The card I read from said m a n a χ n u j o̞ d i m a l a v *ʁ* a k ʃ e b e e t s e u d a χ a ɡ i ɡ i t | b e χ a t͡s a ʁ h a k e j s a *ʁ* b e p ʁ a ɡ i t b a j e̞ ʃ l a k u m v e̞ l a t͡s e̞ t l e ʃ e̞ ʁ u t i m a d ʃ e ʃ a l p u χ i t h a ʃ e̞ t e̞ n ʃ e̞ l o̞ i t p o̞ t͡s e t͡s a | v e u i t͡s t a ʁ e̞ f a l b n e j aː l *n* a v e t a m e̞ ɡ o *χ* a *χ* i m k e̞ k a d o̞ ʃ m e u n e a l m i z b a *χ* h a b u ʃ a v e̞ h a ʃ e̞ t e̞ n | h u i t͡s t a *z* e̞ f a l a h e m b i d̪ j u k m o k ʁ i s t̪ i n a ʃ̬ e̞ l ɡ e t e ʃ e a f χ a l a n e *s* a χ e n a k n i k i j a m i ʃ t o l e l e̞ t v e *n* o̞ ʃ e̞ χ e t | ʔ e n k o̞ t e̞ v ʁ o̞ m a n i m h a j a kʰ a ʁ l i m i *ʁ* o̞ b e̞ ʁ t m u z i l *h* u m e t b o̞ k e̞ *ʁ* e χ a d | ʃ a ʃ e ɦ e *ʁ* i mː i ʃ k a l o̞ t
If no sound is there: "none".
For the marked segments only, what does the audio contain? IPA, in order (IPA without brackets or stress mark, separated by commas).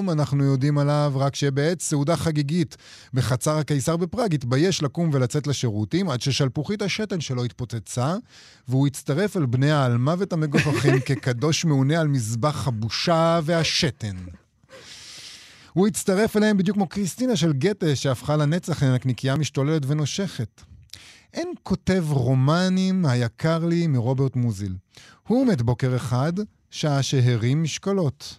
ʁ, ʁ, m, f, χ, χ, ʁ, t͡s, n, ʁ, h, ʁ, ʁ